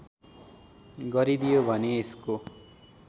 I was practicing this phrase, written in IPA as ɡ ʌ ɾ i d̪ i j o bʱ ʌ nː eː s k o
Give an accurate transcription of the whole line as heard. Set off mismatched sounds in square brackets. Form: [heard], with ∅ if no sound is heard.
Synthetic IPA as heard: ɡ ʌ ɾ i d̪ i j o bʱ ʌ [n] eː s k o